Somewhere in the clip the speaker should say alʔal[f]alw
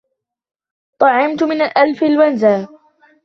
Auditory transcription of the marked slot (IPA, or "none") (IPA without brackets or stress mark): f